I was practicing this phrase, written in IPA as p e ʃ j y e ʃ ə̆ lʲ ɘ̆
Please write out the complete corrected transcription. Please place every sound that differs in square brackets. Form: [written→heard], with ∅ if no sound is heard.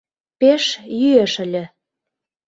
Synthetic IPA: p e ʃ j y e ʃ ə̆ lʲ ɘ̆